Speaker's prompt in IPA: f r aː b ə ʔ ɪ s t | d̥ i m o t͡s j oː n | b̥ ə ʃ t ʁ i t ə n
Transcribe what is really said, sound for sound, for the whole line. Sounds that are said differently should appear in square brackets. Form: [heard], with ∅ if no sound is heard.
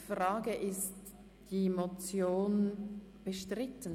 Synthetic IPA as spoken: f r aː [ɡ] ə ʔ ɪ s t | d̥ i m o t͡s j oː n | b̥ ə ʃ t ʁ [ɪ] t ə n